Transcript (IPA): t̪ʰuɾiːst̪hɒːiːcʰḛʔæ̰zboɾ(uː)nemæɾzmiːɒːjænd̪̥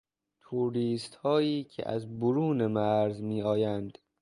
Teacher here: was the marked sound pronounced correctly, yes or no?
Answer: yes